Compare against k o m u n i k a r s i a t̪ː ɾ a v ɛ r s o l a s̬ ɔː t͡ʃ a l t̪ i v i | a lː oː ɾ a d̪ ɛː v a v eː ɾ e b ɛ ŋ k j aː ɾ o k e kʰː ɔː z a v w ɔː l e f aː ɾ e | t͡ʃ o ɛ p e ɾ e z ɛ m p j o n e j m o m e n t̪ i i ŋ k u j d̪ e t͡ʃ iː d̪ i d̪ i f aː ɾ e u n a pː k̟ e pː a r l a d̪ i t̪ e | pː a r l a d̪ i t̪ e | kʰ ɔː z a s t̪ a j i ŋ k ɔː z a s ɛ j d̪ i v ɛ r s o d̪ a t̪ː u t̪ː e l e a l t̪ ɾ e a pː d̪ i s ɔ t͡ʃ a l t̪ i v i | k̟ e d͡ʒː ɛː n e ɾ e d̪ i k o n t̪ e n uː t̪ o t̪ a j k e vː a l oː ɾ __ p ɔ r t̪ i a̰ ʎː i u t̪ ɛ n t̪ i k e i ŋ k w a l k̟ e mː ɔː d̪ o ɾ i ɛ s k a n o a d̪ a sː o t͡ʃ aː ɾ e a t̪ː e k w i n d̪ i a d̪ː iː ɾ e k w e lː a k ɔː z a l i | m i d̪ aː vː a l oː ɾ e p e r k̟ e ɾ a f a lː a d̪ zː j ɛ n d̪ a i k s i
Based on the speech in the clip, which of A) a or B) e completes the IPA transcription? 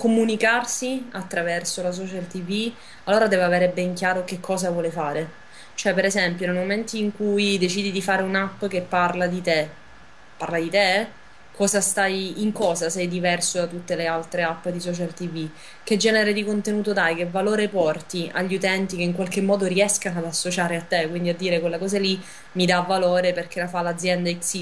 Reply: B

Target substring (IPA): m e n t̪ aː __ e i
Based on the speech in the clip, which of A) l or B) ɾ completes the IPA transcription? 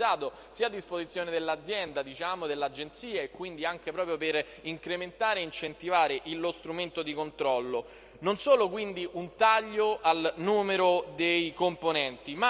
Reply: B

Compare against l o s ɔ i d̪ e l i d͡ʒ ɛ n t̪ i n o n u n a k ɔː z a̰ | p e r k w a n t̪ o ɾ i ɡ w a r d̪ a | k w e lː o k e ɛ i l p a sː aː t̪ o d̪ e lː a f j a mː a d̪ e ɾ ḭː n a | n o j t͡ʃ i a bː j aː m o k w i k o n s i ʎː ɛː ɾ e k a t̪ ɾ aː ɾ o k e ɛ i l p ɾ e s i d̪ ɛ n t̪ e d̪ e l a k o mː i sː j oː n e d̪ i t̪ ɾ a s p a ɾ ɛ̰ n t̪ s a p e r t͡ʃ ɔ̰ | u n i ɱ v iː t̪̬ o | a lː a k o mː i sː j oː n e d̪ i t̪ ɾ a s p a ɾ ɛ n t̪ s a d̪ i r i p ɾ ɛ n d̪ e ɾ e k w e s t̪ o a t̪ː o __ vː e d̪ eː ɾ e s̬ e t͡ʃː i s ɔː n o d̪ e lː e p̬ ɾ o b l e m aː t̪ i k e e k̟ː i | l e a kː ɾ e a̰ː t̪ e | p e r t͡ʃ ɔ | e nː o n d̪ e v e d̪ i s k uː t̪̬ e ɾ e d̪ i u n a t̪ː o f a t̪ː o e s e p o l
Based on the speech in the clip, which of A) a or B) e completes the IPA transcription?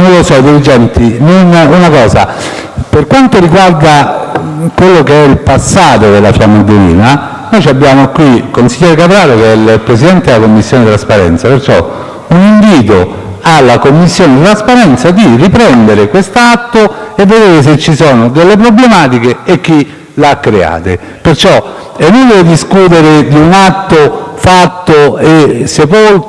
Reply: B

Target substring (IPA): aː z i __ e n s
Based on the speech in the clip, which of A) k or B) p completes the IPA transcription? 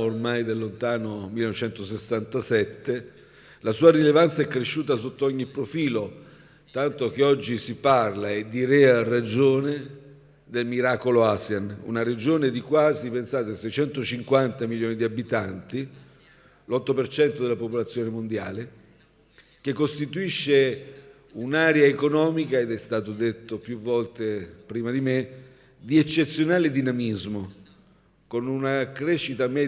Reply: B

